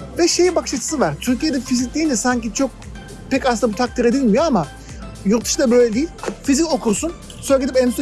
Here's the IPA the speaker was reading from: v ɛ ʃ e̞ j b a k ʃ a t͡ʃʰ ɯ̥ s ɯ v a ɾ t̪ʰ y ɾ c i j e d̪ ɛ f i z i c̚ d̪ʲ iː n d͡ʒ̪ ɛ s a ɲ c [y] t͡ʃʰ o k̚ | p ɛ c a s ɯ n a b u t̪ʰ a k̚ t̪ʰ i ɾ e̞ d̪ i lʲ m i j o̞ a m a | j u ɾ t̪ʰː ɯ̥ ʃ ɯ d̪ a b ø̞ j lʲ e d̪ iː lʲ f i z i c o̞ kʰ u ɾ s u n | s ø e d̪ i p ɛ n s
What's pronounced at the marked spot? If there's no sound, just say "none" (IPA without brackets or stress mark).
i